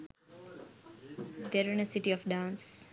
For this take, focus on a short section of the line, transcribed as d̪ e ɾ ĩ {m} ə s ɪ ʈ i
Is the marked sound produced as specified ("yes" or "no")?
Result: no